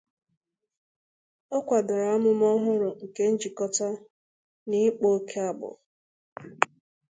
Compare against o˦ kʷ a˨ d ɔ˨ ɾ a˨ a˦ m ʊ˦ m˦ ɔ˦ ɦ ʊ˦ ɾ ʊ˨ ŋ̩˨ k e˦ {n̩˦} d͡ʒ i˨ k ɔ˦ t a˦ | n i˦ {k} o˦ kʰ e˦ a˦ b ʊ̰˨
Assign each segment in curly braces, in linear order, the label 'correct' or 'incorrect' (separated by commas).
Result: correct, incorrect